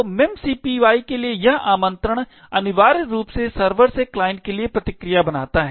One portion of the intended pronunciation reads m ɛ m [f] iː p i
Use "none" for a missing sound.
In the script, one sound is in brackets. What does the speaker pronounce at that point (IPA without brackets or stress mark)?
s